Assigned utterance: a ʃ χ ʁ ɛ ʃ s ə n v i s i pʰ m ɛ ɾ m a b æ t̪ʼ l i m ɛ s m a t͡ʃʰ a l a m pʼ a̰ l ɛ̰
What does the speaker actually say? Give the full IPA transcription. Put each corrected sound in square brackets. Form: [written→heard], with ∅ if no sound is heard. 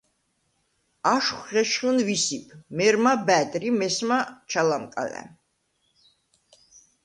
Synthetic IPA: a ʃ χ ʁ ɛ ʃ [s→χ] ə n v i s i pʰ m ɛ ɾ m a b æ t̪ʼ [l→ɾ] i m ɛ s m a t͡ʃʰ a l a m [pʼ→kʼ] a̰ l ɛ̰